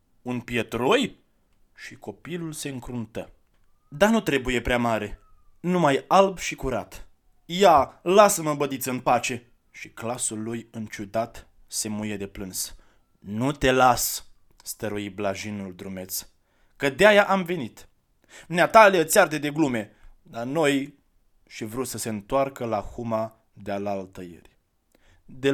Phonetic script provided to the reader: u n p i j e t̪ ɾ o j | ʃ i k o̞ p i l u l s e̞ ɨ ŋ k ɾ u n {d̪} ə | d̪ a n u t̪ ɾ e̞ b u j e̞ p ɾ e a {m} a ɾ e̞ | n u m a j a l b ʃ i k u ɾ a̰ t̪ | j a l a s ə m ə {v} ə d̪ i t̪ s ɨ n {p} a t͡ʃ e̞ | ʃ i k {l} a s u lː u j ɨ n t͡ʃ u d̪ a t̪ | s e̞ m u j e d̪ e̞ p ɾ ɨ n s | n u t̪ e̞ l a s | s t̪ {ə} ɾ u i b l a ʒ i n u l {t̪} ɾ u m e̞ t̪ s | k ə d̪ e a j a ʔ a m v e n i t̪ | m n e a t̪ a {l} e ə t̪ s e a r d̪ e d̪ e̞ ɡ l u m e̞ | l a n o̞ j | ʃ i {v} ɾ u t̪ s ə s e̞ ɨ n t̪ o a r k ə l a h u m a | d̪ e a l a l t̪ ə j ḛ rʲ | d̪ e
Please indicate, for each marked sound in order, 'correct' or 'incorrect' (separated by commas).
incorrect, correct, incorrect, correct, correct, correct, incorrect, correct, correct